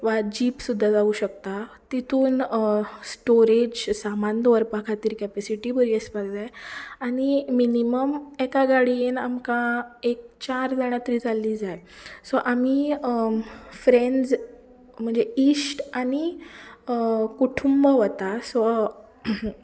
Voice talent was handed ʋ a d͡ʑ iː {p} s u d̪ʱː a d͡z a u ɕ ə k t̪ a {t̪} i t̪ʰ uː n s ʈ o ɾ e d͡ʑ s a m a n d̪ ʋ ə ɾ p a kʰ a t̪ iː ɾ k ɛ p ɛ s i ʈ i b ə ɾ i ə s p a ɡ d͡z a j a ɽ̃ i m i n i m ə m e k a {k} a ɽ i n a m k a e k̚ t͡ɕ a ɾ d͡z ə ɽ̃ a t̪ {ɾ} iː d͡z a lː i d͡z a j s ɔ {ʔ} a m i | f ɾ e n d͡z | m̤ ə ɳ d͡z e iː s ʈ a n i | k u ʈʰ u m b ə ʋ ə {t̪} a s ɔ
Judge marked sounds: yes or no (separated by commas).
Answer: yes, yes, no, yes, yes, yes